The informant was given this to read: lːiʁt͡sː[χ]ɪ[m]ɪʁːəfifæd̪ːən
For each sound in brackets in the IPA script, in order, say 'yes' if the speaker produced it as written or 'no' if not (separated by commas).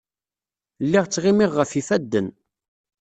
no, yes